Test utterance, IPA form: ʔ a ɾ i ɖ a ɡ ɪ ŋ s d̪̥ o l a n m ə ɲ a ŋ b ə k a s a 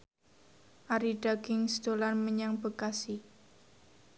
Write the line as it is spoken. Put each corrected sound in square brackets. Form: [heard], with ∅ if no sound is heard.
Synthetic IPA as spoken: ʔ a ɾ i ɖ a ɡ ɪ ŋ s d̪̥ o l a n m ə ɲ a ŋ b ə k a s [i]